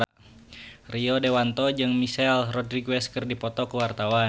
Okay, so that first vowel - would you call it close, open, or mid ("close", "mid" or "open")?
close